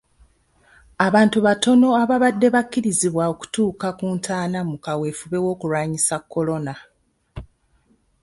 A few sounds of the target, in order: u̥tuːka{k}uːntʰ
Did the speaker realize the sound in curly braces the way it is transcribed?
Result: yes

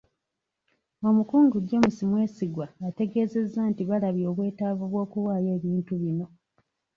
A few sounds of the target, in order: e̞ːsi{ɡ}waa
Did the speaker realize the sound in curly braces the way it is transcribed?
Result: yes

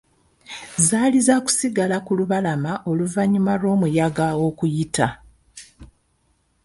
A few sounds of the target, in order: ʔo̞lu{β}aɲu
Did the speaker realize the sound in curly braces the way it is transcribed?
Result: no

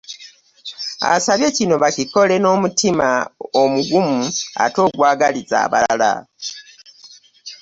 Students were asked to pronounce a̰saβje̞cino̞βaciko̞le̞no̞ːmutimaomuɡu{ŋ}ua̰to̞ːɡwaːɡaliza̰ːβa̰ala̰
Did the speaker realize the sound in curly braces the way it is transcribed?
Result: no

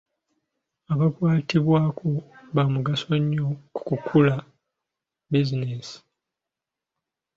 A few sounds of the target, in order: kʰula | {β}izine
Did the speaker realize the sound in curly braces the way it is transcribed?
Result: no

